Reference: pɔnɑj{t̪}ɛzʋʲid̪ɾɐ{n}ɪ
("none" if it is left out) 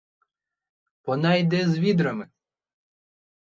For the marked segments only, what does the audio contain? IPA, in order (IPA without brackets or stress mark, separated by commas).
d̪, m